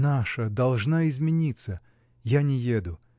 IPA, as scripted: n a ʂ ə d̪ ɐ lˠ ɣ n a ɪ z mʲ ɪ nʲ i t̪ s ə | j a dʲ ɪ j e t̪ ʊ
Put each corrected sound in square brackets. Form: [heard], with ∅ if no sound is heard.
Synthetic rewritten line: n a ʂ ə d̪ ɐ lˠ [ʐ] n a ɪ z mʲ ɪ nʲ i t̪ s ə | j a [nʲ] ɪ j e [d̪] ʊ